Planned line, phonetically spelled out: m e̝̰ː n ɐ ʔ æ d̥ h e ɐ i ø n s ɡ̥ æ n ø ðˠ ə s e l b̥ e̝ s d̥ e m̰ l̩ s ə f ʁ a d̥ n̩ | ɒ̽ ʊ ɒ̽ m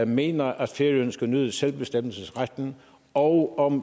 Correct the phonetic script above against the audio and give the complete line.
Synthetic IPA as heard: m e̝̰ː n ɐ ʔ æ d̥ f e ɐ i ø n s ɡ̥ æ n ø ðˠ ə s e l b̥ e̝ s d̥ e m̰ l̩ s ə s ʁ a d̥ n̩ | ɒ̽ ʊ ɒ̽ m